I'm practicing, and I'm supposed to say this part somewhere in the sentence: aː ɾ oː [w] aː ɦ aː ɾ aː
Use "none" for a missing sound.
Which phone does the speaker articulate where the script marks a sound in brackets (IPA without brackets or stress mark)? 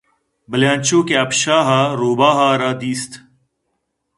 b